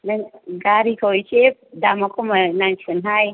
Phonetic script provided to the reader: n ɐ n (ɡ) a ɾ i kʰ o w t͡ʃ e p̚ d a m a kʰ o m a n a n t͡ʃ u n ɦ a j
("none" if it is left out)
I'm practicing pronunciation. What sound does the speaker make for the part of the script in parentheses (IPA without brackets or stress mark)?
ɡ